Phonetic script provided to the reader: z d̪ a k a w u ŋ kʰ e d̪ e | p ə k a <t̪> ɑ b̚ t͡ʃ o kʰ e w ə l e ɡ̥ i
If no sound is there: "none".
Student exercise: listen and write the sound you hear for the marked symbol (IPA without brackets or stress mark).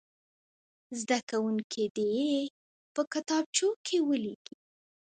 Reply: t̪